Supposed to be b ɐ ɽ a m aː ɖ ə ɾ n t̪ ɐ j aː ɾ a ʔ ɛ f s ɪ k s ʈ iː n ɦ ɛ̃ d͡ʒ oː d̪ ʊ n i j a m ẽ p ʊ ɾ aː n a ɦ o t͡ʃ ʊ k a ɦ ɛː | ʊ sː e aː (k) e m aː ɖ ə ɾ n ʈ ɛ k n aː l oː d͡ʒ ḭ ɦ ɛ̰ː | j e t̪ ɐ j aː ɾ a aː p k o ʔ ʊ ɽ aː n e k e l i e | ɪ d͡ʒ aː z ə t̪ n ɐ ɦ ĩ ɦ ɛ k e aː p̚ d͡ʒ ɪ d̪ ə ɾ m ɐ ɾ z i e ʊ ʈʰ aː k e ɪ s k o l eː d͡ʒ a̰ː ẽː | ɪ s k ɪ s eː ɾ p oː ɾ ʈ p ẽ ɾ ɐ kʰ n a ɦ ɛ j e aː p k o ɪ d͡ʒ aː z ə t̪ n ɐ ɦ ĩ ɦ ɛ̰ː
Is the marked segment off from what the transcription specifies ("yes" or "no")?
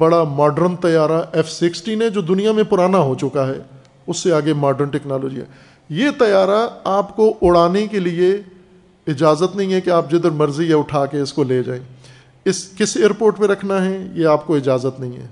yes